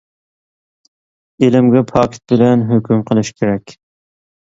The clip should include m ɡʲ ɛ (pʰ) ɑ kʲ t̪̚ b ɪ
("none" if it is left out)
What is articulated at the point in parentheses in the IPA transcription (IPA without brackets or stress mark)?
pʰ